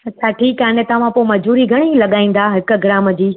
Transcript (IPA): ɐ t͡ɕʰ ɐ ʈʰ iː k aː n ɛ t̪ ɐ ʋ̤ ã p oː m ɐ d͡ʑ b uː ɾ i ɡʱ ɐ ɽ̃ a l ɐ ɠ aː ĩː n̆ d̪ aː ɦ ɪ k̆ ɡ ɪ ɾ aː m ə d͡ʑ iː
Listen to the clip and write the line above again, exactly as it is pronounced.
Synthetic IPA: ɐ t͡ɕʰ a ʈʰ iː k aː n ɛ t̪ ɐ ʋ̤ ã p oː m ɐ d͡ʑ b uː ɾ i ɡʱ ɐ ɽ̃ i l ɐ ɠ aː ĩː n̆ d̪ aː ɦ ɪ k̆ ɡ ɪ ɾ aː m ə d͡ʑ iː